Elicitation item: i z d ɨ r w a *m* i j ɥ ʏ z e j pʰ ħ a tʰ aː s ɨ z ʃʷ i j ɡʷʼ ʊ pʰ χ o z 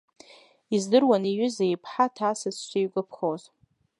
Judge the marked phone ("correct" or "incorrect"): incorrect